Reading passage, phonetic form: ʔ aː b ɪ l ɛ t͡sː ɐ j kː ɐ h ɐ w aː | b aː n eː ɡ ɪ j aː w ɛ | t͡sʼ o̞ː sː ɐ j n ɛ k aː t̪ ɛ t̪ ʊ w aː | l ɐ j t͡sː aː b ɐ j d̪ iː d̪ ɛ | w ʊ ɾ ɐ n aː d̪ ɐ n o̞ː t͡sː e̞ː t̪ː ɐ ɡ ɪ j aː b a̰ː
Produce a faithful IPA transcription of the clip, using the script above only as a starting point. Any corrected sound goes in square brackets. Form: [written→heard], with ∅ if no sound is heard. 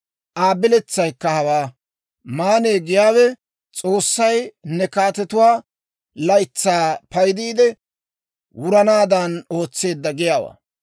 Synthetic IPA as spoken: ʔ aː b ɪ l ɛ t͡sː ɐ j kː ɐ h ɐ w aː | [b→m] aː n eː ɡ ɪ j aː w ɛ | t͡sʼ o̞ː sː ɐ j n ɛ k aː t̪ ɛ t̪ ʊ w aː | l ɐ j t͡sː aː [b→p] ɐ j d̪ iː d̪ ɛ | w ʊ ɾ ɐ n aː d̪ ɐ n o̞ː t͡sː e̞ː [t̪ː→d̪ː] ɐ ɡ ɪ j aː [b→w] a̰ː